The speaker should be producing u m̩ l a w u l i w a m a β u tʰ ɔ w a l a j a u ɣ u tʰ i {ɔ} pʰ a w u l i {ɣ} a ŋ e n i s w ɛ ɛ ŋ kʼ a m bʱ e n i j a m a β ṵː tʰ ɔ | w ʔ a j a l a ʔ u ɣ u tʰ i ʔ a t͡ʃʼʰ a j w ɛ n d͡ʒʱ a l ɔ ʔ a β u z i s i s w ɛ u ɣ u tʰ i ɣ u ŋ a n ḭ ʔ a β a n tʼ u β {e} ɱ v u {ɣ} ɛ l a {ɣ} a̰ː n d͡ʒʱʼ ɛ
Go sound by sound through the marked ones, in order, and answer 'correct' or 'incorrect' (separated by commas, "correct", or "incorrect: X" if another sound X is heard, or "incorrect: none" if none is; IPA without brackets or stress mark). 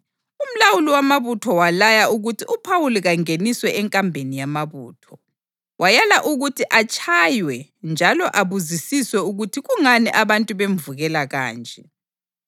incorrect: u, correct, correct, correct, correct